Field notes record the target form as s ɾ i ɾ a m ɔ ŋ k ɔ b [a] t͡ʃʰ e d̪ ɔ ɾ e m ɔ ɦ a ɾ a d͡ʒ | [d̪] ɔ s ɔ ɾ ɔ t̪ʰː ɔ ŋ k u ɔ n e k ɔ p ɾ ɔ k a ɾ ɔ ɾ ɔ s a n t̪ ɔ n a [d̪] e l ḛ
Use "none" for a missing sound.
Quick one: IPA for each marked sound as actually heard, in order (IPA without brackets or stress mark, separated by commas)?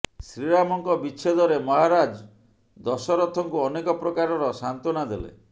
i, d̪, d̪